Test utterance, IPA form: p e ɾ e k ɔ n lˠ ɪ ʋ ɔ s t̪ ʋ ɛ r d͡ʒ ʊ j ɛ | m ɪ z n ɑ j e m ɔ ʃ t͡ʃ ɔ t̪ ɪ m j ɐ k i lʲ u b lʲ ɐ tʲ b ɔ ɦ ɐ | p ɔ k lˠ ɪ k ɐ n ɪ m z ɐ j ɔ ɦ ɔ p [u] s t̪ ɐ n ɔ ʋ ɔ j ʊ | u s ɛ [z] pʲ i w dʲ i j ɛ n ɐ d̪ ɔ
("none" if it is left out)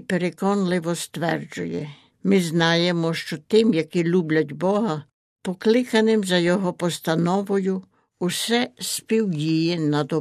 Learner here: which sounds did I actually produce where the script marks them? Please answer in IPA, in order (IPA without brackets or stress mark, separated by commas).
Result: ɔ, s